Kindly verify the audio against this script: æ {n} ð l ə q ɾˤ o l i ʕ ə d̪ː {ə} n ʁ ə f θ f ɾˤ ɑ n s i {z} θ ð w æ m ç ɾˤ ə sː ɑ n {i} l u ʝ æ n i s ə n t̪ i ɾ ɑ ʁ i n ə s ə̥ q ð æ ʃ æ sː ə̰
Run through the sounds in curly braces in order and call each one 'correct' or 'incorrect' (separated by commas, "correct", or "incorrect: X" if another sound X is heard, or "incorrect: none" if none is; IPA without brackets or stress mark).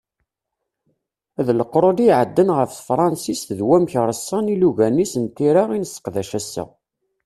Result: incorrect: none, correct, incorrect: s, correct